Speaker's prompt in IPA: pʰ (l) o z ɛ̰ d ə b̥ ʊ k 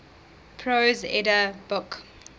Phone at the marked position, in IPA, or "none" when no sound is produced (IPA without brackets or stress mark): ɹ